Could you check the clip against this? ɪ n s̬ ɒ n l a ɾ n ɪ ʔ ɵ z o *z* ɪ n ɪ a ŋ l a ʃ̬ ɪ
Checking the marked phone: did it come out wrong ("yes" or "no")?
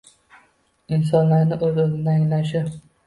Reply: no